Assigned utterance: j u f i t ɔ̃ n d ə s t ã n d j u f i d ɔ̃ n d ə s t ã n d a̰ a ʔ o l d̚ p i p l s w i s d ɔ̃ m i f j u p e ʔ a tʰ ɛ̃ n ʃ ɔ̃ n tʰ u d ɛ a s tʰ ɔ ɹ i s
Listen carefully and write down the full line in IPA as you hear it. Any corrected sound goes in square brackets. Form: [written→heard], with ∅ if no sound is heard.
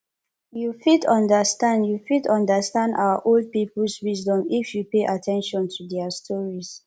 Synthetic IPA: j u f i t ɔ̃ n d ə s t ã n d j u f i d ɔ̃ n d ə s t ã n d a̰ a ʔ o l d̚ p i p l s w i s d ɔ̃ m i f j u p e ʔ a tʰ ɛ̃ n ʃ ɔ̃ n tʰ u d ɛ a s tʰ ɔ ɹ i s